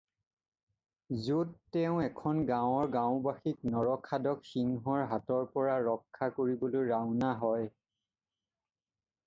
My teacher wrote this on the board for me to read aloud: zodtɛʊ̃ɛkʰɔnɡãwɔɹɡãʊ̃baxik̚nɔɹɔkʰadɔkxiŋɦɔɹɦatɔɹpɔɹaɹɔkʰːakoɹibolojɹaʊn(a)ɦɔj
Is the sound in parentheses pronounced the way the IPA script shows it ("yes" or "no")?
yes